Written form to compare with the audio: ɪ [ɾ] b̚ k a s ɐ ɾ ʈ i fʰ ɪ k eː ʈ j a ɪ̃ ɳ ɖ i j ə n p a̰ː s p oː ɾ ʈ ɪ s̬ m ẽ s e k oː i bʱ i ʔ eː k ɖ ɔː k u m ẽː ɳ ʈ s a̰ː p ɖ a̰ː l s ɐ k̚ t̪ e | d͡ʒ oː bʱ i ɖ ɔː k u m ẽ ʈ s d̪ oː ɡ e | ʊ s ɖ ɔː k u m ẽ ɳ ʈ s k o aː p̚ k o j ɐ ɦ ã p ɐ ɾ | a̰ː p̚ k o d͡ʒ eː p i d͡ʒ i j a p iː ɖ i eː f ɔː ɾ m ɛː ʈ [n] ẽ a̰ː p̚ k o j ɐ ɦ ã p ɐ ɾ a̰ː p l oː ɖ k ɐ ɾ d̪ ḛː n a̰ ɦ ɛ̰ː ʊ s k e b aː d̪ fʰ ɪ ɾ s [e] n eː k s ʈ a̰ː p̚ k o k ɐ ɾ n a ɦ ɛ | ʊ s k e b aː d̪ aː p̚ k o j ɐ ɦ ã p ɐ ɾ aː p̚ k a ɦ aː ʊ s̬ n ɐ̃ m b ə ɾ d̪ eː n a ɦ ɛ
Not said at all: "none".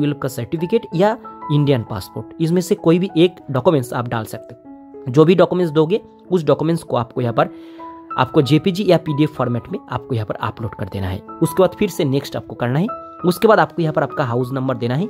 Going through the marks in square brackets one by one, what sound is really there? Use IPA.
l, m, e

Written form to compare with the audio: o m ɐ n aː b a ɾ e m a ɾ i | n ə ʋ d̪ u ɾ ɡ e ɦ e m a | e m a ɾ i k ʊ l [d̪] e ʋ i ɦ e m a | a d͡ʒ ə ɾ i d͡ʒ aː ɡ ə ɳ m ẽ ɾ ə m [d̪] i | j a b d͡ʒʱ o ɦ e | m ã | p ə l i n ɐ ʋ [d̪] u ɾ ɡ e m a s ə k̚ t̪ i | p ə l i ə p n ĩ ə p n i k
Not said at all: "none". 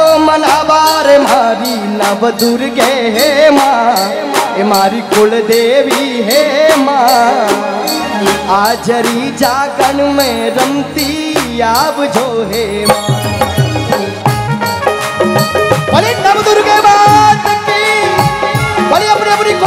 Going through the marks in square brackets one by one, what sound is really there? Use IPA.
d̪, t̪, d̪

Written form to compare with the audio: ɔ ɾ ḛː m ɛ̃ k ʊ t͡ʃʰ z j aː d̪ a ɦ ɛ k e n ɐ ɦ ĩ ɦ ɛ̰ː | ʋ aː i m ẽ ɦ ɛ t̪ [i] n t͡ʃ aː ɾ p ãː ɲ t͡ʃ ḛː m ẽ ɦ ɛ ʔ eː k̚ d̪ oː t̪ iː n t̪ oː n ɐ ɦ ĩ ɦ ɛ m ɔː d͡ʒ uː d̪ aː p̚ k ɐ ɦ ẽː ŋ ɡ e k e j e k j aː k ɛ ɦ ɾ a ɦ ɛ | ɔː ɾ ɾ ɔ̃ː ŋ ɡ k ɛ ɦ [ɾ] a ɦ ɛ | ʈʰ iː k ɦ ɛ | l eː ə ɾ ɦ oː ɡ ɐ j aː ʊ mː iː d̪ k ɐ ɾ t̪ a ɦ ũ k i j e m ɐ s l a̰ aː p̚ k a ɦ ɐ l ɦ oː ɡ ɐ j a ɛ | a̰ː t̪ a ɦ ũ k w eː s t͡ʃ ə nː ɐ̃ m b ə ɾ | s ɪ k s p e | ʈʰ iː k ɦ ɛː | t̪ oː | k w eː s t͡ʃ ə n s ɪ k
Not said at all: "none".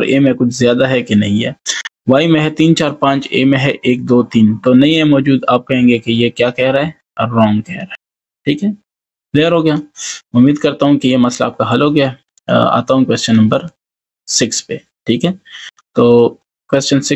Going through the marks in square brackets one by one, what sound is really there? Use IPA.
iː, ɾ

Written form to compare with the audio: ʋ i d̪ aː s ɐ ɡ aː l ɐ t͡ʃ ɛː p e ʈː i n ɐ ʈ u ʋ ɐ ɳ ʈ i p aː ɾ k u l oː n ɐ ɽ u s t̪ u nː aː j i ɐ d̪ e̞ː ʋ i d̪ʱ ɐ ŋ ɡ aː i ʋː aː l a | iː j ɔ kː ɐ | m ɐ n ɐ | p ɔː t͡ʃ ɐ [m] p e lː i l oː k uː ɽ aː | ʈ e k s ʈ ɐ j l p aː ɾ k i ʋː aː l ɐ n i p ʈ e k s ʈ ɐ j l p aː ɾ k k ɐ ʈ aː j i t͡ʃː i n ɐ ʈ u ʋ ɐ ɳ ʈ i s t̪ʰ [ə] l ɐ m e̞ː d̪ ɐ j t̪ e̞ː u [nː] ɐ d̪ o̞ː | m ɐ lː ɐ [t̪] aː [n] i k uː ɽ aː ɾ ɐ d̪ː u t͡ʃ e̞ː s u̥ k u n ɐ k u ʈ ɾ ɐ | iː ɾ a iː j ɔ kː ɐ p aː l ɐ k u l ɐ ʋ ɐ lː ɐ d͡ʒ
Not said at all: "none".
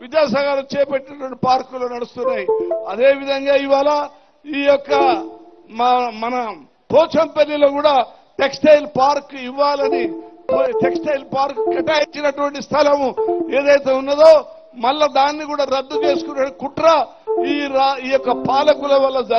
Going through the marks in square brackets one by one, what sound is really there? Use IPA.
m, ɐ, nː, d̪, nː

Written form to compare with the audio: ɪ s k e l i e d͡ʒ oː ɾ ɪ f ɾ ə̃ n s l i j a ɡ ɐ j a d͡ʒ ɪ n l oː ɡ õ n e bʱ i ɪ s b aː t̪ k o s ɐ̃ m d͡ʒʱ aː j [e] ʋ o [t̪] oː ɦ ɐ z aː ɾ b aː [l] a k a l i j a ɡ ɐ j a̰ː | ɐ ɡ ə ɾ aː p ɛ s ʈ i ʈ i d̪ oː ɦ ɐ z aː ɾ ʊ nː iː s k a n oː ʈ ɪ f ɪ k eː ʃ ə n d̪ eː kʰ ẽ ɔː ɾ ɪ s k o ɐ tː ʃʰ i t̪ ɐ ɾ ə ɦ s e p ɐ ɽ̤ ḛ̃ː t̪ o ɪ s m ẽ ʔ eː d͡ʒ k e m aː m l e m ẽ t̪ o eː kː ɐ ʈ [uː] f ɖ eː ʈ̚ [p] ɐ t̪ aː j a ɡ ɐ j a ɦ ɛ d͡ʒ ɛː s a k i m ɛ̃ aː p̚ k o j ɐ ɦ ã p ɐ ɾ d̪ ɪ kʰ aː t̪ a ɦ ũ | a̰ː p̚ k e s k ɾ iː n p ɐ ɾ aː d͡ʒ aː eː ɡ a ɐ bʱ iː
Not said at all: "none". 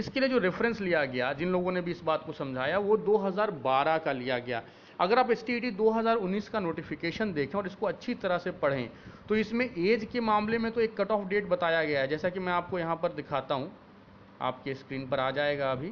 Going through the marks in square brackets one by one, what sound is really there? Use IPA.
a, d̪, ɾ, ɔː, b

